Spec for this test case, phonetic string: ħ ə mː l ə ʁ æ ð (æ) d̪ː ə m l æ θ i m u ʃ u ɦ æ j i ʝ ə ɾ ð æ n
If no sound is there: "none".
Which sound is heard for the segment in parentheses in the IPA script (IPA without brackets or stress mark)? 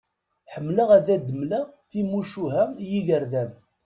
æ